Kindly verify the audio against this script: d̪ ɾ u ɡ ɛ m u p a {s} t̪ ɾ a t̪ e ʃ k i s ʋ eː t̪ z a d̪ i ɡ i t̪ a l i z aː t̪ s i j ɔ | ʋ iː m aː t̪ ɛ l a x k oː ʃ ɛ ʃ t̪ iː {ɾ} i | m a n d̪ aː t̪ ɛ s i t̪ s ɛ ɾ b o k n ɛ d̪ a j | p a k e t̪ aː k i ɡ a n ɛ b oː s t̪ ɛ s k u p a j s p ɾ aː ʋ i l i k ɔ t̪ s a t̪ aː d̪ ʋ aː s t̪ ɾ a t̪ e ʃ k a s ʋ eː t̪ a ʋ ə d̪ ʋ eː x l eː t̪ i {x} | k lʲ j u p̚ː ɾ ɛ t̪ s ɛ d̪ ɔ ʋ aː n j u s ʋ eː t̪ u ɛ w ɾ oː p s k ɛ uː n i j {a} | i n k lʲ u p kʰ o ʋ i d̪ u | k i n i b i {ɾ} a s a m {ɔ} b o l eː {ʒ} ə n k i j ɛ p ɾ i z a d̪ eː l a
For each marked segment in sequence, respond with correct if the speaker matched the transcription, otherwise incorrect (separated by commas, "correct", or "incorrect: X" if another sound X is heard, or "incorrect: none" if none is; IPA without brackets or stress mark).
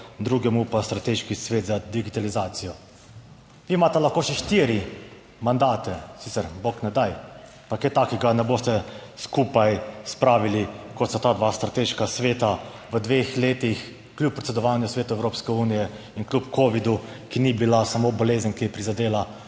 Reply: correct, correct, correct, incorrect: ɛ, incorrect: l, incorrect: o, incorrect: z